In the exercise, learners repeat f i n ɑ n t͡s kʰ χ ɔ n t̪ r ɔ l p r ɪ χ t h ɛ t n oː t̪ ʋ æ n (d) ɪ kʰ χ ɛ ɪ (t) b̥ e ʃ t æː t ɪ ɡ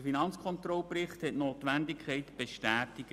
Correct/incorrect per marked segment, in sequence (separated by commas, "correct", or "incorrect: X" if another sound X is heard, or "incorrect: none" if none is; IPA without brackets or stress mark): correct, correct